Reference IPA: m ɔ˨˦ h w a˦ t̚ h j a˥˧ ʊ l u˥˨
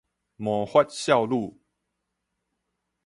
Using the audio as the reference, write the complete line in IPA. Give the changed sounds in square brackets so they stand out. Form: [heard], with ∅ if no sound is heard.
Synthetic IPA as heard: m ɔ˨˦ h w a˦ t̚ [ɕ] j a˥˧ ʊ l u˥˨